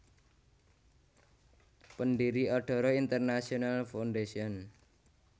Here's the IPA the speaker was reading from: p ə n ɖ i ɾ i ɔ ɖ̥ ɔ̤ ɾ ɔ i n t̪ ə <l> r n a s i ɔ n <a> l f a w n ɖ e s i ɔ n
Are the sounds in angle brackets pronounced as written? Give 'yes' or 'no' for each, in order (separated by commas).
no, yes